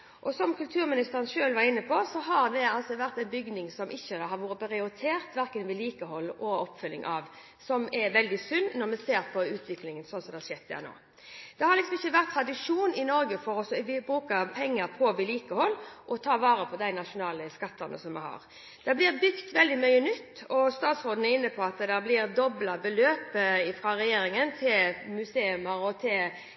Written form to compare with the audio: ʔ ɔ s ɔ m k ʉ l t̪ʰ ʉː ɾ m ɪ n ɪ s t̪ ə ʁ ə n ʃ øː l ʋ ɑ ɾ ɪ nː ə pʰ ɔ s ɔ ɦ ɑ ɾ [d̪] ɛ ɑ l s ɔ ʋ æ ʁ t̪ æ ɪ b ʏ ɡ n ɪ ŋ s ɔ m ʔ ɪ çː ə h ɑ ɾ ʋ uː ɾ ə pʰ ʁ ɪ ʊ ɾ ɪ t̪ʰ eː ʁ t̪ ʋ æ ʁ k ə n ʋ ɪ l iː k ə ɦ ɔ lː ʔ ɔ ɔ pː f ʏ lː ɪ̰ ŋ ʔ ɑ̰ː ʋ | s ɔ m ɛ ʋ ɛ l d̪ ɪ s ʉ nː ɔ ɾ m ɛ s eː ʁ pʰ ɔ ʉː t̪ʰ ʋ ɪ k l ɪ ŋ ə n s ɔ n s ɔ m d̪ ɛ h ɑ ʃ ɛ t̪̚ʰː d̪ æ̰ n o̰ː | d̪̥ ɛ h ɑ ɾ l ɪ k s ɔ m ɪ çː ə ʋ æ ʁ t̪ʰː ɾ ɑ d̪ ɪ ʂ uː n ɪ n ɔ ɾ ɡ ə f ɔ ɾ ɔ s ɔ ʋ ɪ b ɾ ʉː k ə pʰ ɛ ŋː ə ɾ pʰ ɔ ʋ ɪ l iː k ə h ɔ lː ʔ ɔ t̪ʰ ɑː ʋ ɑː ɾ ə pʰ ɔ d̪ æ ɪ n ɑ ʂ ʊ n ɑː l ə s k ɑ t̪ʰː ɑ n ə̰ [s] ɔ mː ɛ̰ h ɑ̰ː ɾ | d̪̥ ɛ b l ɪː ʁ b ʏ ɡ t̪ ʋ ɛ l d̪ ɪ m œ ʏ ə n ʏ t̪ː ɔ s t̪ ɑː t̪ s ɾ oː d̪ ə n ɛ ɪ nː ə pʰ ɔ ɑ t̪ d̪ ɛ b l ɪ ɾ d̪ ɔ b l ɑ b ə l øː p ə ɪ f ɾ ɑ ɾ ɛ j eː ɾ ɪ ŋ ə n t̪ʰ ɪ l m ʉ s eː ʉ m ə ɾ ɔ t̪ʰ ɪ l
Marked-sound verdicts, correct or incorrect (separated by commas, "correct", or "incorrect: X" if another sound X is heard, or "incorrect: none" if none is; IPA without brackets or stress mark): correct, correct